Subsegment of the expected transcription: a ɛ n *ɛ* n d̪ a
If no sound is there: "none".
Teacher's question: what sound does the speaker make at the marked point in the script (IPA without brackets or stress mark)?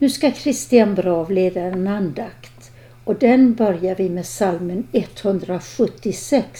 a